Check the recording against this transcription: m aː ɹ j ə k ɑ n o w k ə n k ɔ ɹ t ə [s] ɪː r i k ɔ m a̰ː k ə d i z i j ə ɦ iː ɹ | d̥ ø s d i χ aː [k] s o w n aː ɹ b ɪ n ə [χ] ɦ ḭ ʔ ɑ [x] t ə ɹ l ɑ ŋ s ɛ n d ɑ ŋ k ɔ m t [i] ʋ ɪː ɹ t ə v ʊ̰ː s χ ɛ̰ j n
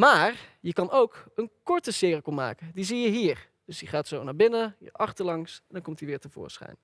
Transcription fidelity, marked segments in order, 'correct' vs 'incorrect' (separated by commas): correct, incorrect, incorrect, incorrect, correct